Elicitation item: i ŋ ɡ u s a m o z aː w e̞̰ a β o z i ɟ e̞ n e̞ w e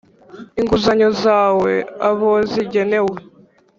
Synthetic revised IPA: i ŋ ɡ u z a ɲ o z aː w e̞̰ a β o z i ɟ e̞ n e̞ w e